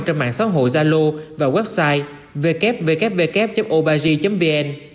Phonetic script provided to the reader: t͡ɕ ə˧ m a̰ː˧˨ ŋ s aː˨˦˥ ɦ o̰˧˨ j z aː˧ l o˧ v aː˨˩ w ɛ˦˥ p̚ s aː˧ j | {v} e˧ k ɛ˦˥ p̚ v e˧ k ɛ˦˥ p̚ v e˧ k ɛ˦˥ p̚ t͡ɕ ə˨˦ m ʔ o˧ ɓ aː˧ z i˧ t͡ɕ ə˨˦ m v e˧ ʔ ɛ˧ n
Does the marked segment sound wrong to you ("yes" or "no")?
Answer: no